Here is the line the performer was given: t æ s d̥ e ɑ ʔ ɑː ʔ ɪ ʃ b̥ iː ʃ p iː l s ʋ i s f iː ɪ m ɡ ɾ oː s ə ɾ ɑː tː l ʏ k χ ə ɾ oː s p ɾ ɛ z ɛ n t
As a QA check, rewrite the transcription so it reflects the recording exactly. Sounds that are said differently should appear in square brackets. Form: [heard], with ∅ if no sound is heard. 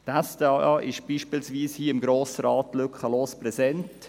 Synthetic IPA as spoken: t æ s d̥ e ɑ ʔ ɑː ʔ ɪ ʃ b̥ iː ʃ p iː l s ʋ [iː] s [h] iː ɪ m ɡ ɾ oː s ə ɾ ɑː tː l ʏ k χ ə [l] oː s p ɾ ɛ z ɛ n t